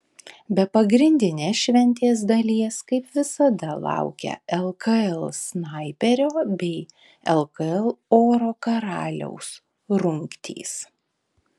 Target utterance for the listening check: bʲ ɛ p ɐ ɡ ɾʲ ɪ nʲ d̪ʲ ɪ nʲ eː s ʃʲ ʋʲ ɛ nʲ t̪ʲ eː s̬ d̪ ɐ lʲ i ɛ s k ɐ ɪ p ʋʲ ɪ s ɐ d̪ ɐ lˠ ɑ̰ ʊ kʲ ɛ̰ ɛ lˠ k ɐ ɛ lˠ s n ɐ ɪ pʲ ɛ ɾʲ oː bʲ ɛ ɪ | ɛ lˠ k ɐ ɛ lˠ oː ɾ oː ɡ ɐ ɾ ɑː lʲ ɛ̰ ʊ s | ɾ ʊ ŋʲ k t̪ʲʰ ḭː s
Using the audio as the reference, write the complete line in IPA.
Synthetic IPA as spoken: bʲ ɛ p ɐ ɡ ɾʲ ɪ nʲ d̪ʲ ɪ nʲ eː s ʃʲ ʋʲ ɛ nʲ t̪ʲ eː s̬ d̪ ɐ lʲ i ɛ s k ɐ ɪ p ʋʲ ɪ s ɐ d̪ ɐ lˠ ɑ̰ ʊ kʲ ɛ̰ ɛ lˠ k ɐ ɛ lˠ s n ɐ ɪ pʲ ɛ ɾʲ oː bʲ ɛ ɪ | ɛ lˠ k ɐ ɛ lˠ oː ɾ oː k ɐ ɾ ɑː lʲ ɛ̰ ʊ s | ɾ ʊ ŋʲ k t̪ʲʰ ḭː s